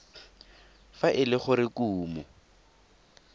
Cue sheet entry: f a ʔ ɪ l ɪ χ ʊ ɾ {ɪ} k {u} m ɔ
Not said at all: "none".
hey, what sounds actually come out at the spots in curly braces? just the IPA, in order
ɪ, uː

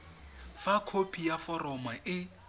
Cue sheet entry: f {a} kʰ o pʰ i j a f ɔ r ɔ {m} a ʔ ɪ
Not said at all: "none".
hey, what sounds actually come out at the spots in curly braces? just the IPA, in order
a, m

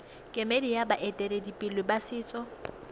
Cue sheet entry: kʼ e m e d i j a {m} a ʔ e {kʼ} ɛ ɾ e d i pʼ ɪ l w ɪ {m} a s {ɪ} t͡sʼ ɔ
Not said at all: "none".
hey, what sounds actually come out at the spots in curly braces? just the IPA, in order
b, tʼ, b, ɪː

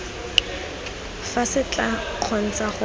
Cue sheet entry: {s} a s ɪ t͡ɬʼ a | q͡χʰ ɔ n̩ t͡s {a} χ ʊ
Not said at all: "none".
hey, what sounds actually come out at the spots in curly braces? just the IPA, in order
f, a

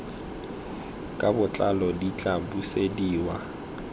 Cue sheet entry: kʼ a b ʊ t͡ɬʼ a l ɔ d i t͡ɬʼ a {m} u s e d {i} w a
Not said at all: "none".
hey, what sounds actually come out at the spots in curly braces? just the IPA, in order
b, iː

